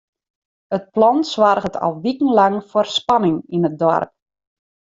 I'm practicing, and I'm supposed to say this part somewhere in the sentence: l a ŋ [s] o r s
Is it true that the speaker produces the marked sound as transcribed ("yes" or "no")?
no